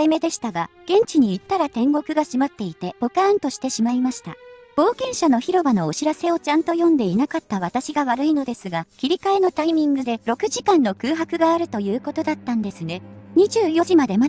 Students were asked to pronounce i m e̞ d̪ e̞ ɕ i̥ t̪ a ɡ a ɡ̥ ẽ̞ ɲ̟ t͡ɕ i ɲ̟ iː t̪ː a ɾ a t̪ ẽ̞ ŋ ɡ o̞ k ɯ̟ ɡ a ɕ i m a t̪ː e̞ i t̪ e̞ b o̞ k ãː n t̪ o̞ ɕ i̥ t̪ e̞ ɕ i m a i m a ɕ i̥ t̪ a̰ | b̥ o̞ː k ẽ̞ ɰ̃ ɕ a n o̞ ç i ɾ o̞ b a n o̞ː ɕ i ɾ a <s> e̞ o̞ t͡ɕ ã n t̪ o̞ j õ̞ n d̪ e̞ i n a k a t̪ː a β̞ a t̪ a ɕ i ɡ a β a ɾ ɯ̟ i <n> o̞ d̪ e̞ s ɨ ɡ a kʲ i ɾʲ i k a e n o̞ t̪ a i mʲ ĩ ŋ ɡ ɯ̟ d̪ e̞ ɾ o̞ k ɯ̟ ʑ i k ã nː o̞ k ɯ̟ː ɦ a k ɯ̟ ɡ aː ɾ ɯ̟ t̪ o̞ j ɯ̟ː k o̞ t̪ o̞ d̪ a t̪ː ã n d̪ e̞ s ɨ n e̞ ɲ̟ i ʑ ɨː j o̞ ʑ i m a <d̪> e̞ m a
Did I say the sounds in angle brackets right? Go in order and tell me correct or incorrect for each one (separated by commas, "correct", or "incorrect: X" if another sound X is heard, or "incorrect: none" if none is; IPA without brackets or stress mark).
correct, correct, correct